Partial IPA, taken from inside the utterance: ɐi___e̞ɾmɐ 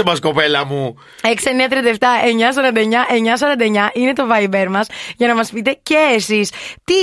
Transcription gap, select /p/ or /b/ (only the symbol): b